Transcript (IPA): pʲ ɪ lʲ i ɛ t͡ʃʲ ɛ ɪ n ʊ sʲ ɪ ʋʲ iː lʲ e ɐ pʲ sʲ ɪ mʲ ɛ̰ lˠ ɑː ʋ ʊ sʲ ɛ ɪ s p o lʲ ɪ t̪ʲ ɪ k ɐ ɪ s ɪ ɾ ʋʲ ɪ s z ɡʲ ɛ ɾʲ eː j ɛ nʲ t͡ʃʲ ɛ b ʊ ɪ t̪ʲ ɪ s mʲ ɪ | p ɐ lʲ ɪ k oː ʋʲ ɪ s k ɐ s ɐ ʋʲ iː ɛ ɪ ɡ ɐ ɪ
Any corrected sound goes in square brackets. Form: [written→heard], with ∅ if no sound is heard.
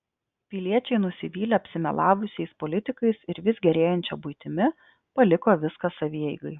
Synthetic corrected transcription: pʲ ɪ lʲ i ɛ t͡ʃʲ ɛ ɪ n ʊ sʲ ɪ ʋʲ iː lʲ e ɐ pʲ sʲ ɪ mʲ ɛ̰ lˠ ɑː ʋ ʊ sʲ ɛ ɪ s p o lʲ ɪ t̪ʲ ɪ k ɐ ɪ s ɪ ɾ ʋʲ ɪ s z ɡʲ ɛ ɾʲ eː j ɛ nʲ t͡ʃʲ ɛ b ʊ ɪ t̪ʲ ɪ [s→∅] mʲ ɪ | p ɐ lʲ ɪ k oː ʋʲ ɪ s k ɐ s ɐ ʋʲ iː ɛ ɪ ɡ ɐ ɪ